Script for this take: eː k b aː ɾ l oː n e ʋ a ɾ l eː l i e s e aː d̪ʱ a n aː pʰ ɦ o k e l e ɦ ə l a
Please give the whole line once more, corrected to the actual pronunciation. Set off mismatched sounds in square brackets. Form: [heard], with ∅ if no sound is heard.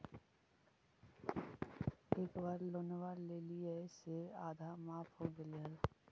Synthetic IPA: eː k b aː ɾ l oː n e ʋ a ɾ l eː l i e s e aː d̪ʱ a [m] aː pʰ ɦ o [ɡ] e l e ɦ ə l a